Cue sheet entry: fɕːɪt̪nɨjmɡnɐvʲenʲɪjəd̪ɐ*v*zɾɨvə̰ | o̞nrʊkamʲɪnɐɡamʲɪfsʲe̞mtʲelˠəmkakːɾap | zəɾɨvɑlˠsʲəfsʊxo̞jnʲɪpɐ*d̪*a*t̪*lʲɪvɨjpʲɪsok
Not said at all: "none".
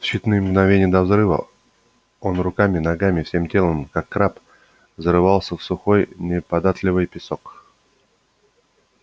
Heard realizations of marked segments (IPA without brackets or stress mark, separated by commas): v, d̪, t̪